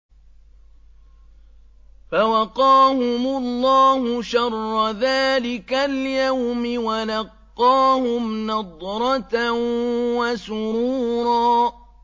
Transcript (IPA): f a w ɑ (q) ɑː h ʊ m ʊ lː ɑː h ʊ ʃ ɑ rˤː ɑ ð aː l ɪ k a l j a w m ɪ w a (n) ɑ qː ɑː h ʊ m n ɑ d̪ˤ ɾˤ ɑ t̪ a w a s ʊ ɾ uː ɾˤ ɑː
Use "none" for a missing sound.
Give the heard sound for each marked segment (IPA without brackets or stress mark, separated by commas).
q, n